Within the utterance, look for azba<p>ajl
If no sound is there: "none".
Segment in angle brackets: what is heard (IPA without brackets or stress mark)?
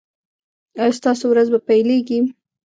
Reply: p